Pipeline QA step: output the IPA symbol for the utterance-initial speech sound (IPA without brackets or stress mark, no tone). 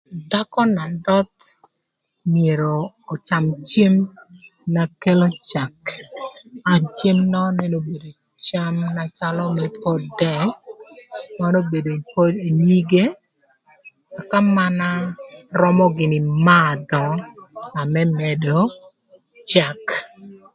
d